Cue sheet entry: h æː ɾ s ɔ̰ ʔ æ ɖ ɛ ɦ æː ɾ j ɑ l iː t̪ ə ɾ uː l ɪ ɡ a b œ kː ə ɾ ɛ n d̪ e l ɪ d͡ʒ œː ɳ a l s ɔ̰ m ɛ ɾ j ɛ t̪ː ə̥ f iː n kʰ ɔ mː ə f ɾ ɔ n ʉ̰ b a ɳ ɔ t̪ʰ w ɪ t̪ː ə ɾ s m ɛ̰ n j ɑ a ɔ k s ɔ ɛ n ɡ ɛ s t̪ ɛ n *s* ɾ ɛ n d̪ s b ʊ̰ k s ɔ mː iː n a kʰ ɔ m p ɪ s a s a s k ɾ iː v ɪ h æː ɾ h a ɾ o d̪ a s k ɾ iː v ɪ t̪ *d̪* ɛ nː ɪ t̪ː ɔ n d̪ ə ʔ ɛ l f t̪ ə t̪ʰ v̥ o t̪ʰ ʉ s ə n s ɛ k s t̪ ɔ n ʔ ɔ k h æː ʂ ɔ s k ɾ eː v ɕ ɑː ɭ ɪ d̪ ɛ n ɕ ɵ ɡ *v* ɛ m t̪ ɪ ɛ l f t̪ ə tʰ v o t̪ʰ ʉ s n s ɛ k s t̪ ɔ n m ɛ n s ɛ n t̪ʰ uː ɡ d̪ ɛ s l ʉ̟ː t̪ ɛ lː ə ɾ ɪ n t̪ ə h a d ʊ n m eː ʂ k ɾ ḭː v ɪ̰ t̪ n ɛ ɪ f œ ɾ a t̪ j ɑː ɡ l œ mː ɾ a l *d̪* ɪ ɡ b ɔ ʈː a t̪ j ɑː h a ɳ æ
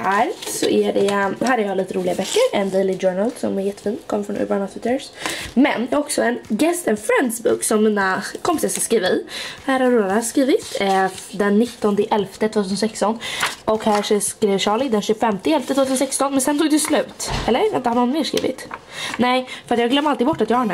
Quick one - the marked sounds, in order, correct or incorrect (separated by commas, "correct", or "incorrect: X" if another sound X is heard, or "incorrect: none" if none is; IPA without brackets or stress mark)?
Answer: incorrect: f, correct, incorrect: f, incorrect: t̪